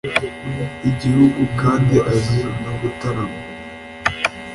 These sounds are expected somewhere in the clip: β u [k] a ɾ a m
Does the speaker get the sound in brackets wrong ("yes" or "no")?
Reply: yes